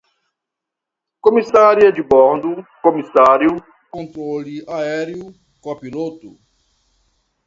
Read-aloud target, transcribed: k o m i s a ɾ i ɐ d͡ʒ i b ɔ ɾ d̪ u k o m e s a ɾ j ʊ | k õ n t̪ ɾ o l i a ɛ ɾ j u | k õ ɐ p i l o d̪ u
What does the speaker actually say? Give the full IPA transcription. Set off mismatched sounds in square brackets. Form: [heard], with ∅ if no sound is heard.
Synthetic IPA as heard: k o m i s a ɾ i ɐ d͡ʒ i b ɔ ɾ d̪ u k o m [i] s a ɾ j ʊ | k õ n t̪ ɾ o l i a ɛ ɾ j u | k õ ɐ p i l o [t̪] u